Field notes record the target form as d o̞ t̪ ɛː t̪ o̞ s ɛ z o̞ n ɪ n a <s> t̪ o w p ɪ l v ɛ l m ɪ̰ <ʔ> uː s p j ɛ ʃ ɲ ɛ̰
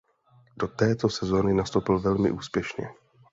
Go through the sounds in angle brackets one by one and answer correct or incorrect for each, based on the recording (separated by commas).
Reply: correct, correct